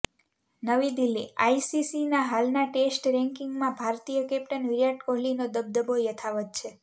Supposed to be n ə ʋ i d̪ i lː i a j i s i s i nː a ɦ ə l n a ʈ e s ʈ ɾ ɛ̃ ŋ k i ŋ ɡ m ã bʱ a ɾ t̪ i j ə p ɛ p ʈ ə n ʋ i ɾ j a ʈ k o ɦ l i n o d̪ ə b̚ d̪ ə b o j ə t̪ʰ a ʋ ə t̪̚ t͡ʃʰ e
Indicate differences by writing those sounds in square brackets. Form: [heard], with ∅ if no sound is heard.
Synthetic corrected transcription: n ə ʋ i d̪ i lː i a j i s i s i [n] a ɦ [a] l n a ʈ e s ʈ ɾ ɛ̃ ŋ k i ŋ ɡ m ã bʱ a ɾ t̪ i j ə [k] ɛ p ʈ ə n ʋ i ɾ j a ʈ k o ɦ l i n o d̪ ə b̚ d̪ ə b o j ə t̪ʰ a ʋ ə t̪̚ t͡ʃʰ e